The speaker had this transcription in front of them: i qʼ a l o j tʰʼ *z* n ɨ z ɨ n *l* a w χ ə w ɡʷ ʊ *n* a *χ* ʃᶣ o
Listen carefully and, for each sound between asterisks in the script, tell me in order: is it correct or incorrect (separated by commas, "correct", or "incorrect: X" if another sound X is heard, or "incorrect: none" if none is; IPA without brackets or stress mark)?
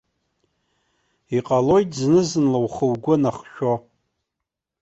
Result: correct, correct, correct, correct